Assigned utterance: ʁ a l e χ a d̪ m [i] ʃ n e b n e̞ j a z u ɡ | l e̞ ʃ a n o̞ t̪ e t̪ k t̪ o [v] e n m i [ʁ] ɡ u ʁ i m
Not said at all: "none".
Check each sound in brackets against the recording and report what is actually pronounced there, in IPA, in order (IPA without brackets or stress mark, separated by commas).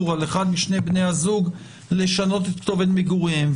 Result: i, v, none